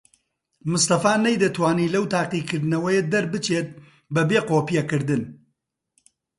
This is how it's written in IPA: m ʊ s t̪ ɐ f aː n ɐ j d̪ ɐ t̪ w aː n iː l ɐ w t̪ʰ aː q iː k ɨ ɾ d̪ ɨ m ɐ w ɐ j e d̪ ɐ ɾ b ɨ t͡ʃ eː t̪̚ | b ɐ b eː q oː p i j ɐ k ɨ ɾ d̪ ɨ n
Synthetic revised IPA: m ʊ s t̪ ɐ f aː n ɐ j d̪ ɐ t̪ w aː n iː l ɐ w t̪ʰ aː q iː k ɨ ɾ d̪ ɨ n ɐ w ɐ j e d̪ ɐ ɾ b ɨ t͡ʃ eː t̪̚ | b ɐ b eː q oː p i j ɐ k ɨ ɾ d̪ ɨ n

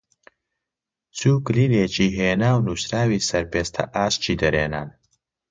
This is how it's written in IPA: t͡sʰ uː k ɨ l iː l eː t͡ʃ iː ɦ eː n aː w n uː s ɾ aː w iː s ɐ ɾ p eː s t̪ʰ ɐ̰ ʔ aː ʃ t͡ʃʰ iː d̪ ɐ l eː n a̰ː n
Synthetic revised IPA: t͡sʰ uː k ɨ l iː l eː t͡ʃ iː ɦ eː n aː w n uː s ɾ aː w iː s ɐ ɾ p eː s t̪ʰ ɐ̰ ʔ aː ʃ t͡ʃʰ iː d̪ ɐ ɾ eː n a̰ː n

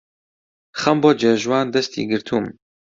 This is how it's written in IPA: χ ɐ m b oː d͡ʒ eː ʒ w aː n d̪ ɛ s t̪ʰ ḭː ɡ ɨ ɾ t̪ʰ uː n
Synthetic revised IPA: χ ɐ m b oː d͡ʒ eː ʒ w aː n d̪ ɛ s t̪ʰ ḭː ɡ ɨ ɾ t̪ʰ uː m

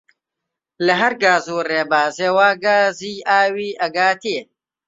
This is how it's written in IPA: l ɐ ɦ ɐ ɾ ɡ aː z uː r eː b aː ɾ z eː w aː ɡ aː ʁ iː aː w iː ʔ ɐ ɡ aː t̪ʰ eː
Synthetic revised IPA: l ɐ ɦ ɐ ɾ ɡ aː z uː r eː b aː z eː w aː ɡ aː z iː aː w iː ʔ ɐ ɡ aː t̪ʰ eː

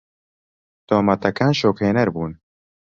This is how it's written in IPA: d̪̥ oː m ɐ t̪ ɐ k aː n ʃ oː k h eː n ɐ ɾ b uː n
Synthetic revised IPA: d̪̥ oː m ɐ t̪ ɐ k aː n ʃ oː k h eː n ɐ ɾ b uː n

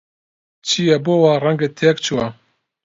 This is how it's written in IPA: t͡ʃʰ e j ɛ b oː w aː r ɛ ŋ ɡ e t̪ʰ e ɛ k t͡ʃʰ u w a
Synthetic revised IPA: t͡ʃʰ i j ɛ b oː w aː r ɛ ŋ ɡ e t̪ʰ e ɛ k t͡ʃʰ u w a

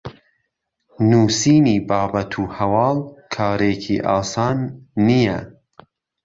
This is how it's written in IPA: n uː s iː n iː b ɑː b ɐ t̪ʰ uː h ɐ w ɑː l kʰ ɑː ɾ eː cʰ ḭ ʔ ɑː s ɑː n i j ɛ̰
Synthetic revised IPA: n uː s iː n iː b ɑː b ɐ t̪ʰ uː h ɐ w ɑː l kʰ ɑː ɾ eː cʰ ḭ ʔ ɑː s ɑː nː i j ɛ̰

